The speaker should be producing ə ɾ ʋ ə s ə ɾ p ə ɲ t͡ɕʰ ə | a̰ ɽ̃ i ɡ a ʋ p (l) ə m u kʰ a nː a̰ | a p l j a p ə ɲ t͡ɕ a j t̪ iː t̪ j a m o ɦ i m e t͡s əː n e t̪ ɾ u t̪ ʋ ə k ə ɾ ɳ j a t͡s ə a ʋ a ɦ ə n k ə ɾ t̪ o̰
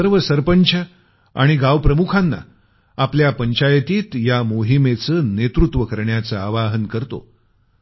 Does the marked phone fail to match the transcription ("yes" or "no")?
yes